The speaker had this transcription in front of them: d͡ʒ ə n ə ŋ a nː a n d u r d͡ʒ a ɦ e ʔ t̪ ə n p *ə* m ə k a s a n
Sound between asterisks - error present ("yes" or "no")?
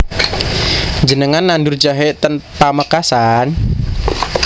yes